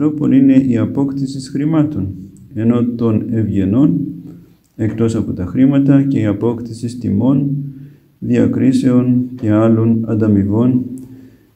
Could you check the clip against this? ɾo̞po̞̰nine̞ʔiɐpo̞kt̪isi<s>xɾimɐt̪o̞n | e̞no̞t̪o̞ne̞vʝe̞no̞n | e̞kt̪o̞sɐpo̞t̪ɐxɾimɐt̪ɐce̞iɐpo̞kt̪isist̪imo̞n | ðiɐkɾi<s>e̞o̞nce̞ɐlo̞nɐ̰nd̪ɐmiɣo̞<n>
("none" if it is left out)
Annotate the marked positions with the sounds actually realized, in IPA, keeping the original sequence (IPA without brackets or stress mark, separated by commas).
s, s, n